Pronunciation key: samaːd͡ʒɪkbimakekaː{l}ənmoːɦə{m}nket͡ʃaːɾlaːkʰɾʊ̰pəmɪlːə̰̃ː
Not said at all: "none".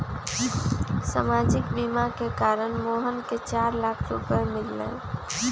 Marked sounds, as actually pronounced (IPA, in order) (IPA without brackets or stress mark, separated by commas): ɾ, none